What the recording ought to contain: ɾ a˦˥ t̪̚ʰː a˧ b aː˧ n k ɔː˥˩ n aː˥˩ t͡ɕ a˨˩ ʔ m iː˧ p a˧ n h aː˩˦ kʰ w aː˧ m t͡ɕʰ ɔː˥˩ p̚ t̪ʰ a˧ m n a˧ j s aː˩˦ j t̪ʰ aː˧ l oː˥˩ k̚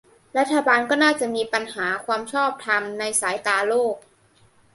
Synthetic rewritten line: ɾ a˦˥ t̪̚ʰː a˧ b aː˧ n k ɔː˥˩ n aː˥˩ t͡ɕ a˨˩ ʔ m iː˧ p a˧ n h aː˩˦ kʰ w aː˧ m t͡ɕʰ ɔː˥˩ p̚ t̪ʰ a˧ m n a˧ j s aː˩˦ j t̪ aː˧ l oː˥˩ k̚